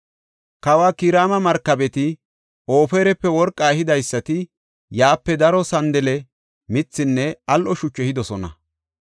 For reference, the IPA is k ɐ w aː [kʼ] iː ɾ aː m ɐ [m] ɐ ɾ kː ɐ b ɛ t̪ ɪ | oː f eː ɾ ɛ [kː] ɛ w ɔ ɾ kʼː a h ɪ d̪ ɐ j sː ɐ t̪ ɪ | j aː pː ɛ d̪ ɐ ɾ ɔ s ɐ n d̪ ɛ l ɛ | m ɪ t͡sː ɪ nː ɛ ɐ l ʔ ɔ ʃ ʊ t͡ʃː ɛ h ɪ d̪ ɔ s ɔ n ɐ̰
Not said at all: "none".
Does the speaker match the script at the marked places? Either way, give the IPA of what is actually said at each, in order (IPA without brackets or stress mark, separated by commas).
k, m, pː